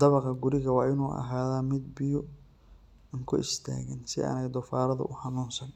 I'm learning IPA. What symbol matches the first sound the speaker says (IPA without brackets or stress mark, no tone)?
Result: d̪